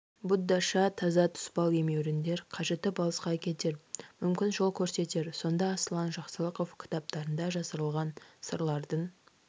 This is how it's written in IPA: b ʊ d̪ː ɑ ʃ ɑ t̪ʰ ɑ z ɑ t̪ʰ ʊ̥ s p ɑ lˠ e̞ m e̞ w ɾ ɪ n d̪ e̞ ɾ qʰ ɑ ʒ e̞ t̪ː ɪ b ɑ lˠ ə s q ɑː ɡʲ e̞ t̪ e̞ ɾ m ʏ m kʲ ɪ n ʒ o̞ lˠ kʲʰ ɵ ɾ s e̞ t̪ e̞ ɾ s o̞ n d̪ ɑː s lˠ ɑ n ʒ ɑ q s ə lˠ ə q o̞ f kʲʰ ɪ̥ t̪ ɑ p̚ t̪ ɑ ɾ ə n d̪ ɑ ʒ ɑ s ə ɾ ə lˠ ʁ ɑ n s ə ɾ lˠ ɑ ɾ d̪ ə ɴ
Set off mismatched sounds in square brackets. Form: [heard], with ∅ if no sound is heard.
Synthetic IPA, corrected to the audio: b ʊ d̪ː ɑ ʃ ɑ t̪ʰ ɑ z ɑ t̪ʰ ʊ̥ s p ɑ lˠ e̞ m e̞ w ɾ ɪ n d̪ e̞ ɾ qʰ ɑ ʒ e̞ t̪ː ɪ b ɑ lˠ ə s q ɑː [kʲ] e̞ t̪ e̞ ɾ m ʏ m kʲ ɪ n ʒ o̞ lˠ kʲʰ ɵ ɾ s e̞ t̪ e̞ ɾ s o̞ n d̪ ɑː s lˠ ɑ n ʒ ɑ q s ə lˠ ə q o̞ f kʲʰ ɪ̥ t̪ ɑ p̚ t̪ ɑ ɾ ə n d̪ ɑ ʒ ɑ s ə ɾ ə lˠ ʁ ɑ n s ə ɾ lˠ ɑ ɾ d̪ ə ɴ